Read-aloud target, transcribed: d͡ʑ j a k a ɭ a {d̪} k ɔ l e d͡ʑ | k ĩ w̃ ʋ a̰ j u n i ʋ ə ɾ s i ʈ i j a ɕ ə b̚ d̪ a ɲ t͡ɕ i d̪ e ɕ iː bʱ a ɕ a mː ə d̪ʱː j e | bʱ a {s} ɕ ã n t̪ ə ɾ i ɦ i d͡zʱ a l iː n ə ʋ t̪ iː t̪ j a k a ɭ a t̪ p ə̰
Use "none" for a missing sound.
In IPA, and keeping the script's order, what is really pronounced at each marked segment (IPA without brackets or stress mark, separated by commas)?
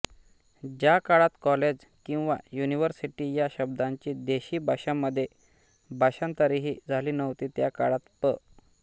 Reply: t̪, none